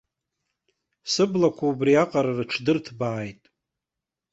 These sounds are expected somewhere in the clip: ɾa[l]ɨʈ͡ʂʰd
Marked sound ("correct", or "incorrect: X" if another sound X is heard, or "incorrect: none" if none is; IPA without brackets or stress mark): incorrect: r